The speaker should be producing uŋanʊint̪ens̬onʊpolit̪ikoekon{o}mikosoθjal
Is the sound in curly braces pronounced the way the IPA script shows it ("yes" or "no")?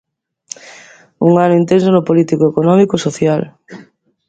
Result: no